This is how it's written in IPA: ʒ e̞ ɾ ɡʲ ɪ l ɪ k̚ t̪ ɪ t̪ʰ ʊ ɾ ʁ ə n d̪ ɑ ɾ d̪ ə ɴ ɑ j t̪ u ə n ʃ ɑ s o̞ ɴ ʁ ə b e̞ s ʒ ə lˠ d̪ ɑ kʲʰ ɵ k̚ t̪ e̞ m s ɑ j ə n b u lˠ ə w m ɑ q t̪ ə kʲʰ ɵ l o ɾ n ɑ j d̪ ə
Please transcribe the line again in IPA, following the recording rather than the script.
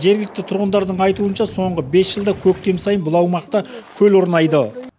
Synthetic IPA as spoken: ʒ e̞ ɾ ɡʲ ɪ l ɪ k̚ t̪ ɪ t̪ʰ ʊ ɾ ʁ ə n d̪ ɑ ɾ d̪ ə ɴ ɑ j t̪ u ə n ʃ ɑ s o̞ ɴ ʁ ə b e̞ s ʒ ə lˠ d̪ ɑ kʲʰ ɵ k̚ t̪ e̞ m s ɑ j ə n b ʊ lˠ ɑ w m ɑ q t̪ ɑ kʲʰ ɵ l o ɾ n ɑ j d̪ ə